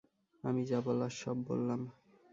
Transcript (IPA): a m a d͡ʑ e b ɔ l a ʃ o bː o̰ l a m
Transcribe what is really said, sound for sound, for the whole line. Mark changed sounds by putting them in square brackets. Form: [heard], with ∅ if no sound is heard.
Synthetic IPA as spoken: a m [i] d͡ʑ [a] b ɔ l a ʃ [ɔ] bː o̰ [lː] a m